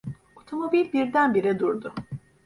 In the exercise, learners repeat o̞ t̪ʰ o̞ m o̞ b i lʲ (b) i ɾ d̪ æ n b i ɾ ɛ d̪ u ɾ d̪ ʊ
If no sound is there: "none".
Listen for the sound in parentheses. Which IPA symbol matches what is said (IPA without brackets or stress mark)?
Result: b